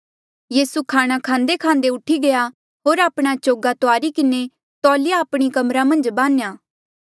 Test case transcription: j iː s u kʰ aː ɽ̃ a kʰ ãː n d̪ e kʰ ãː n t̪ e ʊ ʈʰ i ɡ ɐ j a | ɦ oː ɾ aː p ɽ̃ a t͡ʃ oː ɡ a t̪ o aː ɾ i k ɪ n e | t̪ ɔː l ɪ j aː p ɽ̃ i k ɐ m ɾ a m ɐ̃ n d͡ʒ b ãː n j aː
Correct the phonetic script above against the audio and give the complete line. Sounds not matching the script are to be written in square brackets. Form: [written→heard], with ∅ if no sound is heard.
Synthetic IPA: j iː s u kʰ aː ɽ̃ a kʰ ãː n d̪ e kʰ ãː n [t̪→d̪] e ʊ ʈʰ i ɡ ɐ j a | ɦ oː ɾ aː p ɽ̃ a t͡ʃ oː ɡ a t̪ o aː ɾ i k ɪ n e | t̪ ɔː l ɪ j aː p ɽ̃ i k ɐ m ɾ a m ɐ̃ n d͡ʒ b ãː n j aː